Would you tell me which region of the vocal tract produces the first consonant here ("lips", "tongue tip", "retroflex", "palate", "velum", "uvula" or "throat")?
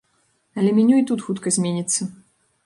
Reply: tongue tip